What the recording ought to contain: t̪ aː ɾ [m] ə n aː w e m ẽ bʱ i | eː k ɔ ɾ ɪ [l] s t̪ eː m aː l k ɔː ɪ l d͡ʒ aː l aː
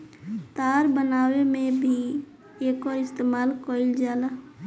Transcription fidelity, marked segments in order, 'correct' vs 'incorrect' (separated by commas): incorrect, incorrect